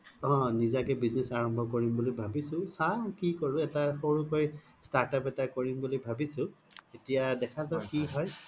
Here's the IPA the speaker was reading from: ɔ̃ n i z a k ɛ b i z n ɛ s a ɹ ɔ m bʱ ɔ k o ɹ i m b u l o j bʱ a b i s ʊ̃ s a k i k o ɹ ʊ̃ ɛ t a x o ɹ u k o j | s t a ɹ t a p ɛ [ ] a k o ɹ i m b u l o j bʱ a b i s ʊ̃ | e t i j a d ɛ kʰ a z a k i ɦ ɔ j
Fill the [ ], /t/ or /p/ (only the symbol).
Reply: t